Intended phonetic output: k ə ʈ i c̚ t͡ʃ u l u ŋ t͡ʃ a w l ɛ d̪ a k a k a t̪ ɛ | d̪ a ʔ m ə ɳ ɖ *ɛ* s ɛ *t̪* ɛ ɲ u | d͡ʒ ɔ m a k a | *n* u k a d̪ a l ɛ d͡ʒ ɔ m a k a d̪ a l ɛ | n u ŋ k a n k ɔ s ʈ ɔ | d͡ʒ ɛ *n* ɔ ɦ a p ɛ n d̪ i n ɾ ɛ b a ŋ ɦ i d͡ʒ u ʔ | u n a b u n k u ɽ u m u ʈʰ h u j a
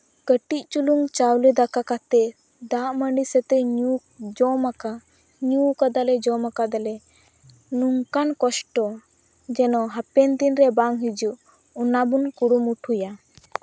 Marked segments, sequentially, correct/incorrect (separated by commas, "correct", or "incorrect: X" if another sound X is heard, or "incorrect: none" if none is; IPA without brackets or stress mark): incorrect: i, correct, incorrect: ɲ, correct